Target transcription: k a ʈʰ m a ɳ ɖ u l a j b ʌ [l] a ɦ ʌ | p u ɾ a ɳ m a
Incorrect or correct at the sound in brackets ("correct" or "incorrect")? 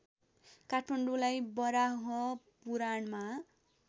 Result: incorrect